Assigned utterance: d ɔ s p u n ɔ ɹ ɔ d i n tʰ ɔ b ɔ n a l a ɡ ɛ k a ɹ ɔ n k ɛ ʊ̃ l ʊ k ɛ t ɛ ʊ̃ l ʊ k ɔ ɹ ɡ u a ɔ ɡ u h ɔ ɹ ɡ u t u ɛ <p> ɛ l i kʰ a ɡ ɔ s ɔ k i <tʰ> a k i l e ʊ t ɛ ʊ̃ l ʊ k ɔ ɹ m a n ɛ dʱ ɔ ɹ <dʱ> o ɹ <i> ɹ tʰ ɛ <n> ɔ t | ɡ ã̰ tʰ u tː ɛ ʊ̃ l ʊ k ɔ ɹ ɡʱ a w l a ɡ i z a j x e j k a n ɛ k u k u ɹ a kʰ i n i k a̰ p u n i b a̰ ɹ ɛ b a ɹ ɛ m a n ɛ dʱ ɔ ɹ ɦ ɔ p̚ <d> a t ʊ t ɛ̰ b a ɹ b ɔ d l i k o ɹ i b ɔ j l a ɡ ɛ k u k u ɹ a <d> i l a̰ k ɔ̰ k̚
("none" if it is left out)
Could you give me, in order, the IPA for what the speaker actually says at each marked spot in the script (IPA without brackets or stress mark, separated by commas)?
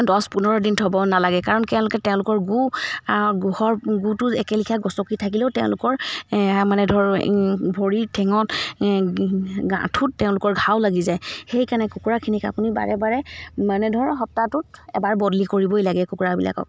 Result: k, tʰ, bʱ, i, ŋ, t, b